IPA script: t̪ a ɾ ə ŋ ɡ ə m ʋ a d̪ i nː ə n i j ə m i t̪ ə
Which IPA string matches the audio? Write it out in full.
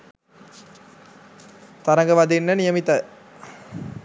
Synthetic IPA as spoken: t̪ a ɾ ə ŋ ɡ ə ʋ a d̪ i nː ə n i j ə m i t̪ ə

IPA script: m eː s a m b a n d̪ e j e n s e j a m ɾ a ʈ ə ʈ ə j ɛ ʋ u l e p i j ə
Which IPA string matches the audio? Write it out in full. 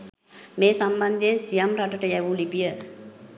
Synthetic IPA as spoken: m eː s a m b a n d̪ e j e n s i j a m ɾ a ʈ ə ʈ ə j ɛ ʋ u l i p i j ə

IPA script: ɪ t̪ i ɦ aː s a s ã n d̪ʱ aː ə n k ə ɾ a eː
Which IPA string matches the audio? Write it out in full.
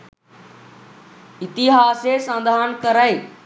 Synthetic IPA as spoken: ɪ t̪ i ɦ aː s e s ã n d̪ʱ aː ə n k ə ɾ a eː

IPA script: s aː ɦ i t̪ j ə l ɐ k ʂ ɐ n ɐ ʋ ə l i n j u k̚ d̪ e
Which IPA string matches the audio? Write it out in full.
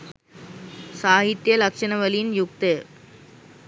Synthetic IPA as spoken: s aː ɦ i t̪ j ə l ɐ k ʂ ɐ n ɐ ʋ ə l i n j u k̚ t̪ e

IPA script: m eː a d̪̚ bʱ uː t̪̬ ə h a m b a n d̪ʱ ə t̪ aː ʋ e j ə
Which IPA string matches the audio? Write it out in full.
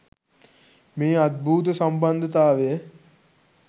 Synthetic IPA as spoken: m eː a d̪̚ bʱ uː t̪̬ ə s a m b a n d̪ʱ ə t̪ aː ʋ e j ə

